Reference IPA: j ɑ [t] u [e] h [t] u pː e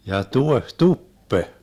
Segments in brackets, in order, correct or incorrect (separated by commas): correct, correct, correct